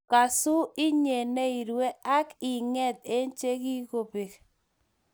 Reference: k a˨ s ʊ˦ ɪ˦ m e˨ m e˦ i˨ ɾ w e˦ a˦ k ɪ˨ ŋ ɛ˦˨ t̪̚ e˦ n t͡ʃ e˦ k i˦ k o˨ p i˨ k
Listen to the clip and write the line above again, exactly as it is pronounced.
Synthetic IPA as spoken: k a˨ s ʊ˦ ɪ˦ ɲ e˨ n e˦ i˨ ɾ w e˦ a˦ k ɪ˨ ŋ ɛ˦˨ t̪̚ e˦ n t͡ʃ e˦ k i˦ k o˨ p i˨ k